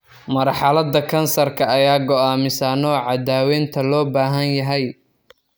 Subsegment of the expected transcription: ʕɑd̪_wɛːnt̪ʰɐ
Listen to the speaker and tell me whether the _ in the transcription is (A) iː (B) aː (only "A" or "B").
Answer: B